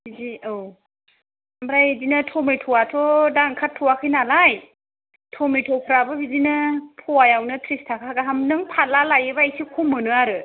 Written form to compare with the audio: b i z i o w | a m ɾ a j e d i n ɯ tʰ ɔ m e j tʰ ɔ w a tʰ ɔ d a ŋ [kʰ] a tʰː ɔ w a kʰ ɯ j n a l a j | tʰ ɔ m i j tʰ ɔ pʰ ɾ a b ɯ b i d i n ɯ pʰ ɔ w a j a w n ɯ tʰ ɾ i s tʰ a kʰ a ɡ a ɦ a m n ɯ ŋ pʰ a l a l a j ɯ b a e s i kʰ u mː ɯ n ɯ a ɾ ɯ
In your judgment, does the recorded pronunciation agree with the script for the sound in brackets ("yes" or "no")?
yes